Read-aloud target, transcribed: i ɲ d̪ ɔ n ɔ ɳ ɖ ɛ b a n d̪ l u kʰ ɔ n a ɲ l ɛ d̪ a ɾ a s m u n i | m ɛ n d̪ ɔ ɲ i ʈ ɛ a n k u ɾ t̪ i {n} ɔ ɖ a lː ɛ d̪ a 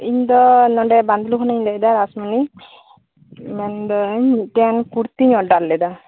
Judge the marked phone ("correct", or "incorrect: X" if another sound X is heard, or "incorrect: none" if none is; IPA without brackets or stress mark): incorrect: ɲ